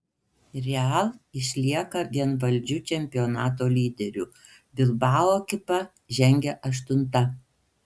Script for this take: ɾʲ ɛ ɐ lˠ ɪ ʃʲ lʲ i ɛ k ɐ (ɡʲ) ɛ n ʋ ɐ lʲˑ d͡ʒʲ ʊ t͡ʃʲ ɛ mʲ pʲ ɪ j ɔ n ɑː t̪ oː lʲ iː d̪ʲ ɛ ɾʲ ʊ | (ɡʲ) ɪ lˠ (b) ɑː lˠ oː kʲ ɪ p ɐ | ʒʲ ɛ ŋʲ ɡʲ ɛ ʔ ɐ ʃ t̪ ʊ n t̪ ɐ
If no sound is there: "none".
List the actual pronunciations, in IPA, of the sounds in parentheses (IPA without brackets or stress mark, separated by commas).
ɡʲ, bʲ, b